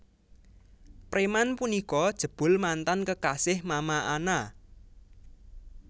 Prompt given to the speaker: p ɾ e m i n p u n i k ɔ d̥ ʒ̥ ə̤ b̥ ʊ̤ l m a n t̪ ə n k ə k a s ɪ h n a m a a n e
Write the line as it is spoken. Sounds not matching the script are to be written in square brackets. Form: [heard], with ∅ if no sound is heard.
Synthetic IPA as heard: p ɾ e m [a] n p u n i k ɔ d̥ ʒ̥ ə̤ b̥ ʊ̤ l m a n t̪ [a] n k ə k a s ɪ h [m] a m a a n [a]